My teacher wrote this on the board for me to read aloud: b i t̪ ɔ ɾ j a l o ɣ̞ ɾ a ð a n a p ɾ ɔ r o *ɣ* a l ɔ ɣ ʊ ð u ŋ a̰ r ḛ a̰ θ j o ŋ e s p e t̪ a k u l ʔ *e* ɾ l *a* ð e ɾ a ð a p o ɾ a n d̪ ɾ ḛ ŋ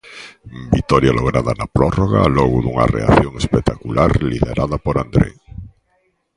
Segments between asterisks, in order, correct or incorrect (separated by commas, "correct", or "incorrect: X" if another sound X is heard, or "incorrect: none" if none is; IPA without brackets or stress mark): correct, incorrect: a, incorrect: i